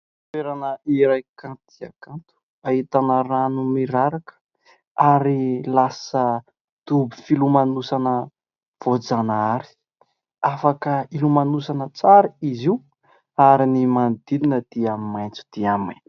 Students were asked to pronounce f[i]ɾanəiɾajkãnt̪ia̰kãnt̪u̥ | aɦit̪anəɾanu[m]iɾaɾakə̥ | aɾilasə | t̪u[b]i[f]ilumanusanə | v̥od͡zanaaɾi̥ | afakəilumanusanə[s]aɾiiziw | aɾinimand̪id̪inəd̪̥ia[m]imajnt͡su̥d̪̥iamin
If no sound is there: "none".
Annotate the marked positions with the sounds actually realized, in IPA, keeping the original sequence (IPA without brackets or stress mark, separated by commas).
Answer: e, m, b, f, t͡s, m